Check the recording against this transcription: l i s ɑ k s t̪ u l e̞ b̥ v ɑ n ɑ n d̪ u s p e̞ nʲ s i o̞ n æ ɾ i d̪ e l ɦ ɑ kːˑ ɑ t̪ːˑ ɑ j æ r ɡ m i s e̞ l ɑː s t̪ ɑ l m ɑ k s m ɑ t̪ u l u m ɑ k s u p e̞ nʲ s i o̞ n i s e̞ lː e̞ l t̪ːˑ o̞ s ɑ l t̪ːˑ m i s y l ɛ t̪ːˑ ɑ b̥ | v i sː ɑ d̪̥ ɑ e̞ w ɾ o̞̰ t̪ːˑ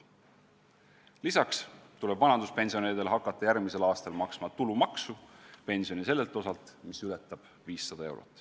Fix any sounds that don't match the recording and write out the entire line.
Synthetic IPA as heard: l i s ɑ k s t̪ u l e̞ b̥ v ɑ n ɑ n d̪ u s p e̞ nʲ s i o̞ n e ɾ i d̪ e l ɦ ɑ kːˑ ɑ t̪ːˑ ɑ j æ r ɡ m i s e̞ l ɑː s t̪ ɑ l m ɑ k s m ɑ t̪ u l u m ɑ k s u p e̞ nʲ s i o̞ n i s e̞ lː e̞ l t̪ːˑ o̞ s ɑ l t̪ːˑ m i s y l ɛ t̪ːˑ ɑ b̥ | v iː sː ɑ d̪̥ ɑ e̞ w ɾ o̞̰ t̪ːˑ